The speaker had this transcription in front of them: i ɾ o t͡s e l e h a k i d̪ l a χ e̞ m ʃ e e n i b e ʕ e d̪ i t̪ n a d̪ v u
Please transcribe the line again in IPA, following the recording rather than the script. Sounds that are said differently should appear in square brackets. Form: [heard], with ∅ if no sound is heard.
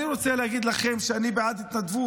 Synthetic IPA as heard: i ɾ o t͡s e l e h a [ɡ] i d̪ l a χ e̞ m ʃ e [a] n i b e ʕ [a] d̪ i t̪ n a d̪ v u